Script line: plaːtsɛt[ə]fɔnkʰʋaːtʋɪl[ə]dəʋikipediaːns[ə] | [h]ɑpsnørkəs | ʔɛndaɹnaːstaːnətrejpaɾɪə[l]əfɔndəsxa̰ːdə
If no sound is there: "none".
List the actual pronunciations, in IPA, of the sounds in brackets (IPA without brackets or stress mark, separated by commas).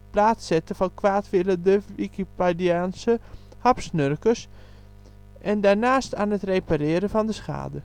ə, ə, ə, h, ɾ